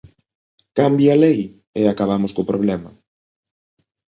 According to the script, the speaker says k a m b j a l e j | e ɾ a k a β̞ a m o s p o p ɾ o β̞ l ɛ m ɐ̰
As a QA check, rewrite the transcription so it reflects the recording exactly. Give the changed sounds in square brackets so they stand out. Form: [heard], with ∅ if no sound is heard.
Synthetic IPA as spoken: k a m b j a l e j | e [∅] a k a β̞ a m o s [k] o p ɾ o β̞ l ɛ m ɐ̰